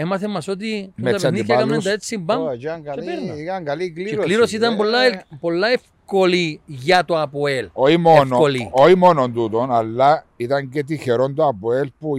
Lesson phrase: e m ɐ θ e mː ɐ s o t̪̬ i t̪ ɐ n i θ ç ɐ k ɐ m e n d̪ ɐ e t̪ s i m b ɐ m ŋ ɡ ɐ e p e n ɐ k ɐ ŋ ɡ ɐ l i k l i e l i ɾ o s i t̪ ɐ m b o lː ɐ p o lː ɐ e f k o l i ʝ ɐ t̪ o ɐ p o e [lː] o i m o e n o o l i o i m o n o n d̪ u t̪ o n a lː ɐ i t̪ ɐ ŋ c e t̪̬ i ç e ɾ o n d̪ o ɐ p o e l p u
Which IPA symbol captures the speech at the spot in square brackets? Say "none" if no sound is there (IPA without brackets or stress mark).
l